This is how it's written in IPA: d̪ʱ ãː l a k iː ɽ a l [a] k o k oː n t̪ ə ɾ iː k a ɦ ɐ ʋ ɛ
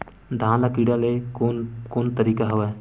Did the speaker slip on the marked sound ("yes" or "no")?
yes